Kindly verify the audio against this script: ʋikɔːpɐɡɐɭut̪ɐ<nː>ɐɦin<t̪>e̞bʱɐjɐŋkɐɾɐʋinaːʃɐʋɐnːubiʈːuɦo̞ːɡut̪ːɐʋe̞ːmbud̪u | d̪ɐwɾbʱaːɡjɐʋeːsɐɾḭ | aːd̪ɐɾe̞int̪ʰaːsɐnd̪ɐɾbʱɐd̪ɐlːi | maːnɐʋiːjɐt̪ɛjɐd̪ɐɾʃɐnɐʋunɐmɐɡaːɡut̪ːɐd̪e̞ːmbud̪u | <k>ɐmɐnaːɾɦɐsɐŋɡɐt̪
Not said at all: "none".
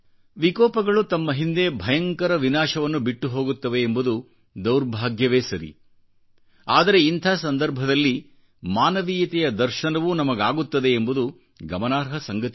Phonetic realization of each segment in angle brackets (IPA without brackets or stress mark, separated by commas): mː, d̪, ɡ